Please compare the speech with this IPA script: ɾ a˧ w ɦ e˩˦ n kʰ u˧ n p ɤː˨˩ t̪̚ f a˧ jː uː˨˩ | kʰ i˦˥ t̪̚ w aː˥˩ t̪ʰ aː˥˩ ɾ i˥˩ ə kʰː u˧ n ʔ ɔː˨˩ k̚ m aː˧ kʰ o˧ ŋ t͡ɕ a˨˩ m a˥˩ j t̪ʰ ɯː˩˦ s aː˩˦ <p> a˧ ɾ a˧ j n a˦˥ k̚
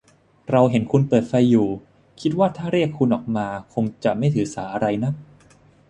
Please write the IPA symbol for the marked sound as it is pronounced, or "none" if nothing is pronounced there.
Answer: ʔ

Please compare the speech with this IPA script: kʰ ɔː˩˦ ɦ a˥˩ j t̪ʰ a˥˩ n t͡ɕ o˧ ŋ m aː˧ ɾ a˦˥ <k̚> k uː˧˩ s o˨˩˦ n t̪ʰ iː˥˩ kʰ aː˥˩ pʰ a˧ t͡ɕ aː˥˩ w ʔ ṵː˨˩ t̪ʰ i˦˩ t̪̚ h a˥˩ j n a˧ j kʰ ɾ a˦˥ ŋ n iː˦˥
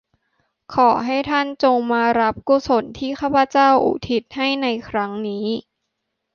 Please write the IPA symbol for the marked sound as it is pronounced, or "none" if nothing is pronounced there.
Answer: p̚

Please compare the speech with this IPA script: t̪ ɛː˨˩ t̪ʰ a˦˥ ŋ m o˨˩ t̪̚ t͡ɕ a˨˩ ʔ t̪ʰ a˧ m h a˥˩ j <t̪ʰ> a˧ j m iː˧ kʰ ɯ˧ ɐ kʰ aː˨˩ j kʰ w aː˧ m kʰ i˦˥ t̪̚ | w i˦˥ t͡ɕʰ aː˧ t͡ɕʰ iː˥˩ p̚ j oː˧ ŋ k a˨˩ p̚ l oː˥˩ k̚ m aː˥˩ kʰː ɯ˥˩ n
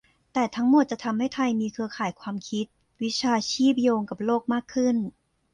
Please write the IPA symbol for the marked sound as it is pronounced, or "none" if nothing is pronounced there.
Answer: t̪ʰ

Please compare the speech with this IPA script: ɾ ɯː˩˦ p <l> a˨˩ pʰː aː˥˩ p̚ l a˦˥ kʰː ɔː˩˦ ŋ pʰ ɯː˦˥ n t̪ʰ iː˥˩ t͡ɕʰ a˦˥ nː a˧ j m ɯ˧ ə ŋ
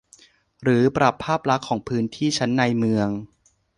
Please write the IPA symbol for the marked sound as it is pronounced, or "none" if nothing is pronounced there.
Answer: ɾ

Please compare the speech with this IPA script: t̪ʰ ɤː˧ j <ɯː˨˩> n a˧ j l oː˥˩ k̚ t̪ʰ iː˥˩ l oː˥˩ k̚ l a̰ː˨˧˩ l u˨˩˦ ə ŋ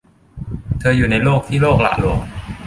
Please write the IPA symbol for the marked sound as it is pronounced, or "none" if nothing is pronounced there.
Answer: uː˨˩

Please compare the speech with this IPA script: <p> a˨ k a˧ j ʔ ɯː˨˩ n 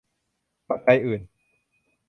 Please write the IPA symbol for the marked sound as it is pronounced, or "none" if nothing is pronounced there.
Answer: p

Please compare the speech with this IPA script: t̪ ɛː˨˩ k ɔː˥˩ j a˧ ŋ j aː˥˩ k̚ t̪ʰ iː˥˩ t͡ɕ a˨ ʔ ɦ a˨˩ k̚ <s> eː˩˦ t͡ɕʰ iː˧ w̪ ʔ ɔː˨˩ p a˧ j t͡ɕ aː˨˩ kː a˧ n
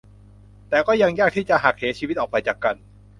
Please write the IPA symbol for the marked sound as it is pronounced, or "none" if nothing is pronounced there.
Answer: h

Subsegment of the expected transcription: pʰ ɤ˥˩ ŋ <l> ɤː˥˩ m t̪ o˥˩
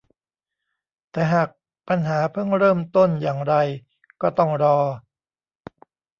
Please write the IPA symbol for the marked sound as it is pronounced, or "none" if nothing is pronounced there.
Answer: ɾ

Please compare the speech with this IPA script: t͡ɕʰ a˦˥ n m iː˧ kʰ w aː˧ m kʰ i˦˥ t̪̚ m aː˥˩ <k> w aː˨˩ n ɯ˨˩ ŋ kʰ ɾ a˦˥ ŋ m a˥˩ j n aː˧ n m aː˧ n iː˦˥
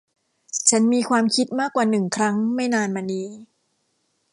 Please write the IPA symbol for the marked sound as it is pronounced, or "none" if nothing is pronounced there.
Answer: k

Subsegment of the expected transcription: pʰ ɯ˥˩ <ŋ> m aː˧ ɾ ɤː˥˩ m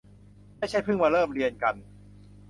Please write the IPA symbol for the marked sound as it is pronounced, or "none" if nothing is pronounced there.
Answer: ŋ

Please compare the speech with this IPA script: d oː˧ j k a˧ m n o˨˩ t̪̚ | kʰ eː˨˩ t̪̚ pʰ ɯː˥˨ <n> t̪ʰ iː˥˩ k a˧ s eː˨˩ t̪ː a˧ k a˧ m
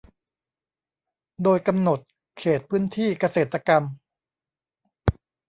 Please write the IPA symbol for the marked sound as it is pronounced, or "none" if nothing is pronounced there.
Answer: n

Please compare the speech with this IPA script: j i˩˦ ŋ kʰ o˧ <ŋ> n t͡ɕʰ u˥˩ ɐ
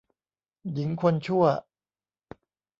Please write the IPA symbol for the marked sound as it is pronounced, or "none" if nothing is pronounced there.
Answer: none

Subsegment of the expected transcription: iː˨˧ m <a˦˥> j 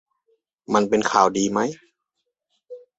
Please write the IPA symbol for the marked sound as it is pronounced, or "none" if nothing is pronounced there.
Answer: a˦˥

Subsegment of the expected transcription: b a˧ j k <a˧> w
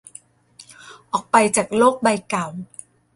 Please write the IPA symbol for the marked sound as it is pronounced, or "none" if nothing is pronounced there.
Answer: a˨˩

